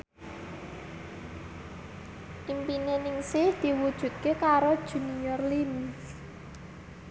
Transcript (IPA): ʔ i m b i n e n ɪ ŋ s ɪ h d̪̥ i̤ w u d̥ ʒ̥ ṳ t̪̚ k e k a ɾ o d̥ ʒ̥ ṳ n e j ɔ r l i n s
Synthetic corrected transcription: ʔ i m p i n e n ɪ ŋ s ɪ h d̪̥ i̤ w u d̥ ʒ̥ ṳ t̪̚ k e k a ɾ o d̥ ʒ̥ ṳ n i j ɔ r l i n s